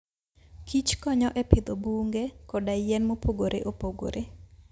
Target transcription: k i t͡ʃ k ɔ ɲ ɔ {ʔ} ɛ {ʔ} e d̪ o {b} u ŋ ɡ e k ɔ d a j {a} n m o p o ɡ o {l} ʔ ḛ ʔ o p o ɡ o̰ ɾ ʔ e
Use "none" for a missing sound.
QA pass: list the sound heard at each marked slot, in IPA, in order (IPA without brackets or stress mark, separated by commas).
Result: ʔ, p, b, ɛ, ɾ